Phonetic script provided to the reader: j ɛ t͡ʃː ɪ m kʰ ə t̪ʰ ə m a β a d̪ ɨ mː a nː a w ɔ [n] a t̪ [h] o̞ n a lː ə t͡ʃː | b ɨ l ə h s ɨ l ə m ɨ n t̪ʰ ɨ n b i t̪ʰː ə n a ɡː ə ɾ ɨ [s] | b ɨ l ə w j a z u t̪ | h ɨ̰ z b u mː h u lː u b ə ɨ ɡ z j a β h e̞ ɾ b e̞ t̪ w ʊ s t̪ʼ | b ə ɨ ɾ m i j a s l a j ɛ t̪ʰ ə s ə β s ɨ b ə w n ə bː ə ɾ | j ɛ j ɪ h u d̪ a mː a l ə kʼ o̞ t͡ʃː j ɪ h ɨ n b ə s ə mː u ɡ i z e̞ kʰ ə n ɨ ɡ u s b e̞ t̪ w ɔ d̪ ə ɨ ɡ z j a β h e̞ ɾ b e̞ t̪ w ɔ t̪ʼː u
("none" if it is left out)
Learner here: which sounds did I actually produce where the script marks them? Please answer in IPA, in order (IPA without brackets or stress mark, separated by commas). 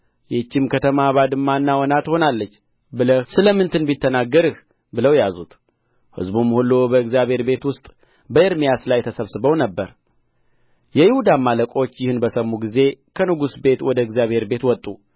n, h, h